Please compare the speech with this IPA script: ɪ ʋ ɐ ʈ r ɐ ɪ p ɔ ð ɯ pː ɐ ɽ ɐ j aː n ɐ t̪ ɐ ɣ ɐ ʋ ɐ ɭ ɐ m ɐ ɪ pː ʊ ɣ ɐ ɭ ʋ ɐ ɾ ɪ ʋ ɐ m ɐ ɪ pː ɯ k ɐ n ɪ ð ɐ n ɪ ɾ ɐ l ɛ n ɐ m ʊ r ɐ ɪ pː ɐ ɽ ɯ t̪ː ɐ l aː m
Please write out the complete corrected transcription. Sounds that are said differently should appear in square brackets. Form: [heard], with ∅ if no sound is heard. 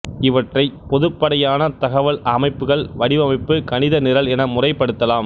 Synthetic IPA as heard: ɪ ʋ ɐ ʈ r ɐ ɪ p ɔ ð ɯ pː ɐ ɽ ɐ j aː n ɐ t̪ ɐ ɣ ɐ ʋ ɐ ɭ ɐ m ɐ ɪ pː [ɯ] ɣ ɐ ɭ ʋ ɐ [ɽ] ɪ ʋ ɐ m ɐ ɪ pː ɯ k ɐ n ɪ ð ɐ n ɪ ɾ ɐ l ɛ n ɐ m ʊ r ɐ ɪ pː ɐ ɽ ɯ t̪ː ɐ l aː m